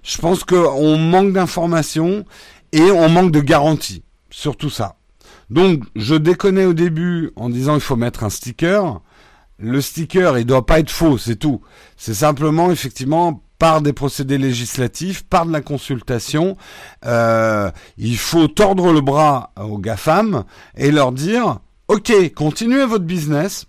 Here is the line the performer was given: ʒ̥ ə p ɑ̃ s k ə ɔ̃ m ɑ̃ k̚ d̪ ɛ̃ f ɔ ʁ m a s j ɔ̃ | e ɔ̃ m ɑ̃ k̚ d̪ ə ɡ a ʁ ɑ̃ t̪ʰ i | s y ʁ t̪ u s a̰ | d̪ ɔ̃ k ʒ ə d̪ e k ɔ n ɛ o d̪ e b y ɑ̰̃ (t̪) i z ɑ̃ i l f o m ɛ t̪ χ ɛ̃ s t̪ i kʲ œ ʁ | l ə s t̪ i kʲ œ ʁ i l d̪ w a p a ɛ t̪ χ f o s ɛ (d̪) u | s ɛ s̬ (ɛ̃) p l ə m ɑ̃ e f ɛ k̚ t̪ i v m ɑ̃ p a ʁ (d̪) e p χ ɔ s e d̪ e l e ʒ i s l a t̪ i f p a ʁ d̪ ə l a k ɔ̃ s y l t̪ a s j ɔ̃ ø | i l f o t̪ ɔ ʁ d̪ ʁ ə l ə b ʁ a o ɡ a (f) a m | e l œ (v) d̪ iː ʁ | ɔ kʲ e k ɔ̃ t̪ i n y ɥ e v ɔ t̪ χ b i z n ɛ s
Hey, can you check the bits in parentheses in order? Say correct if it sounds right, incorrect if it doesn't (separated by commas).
incorrect, incorrect, correct, correct, correct, incorrect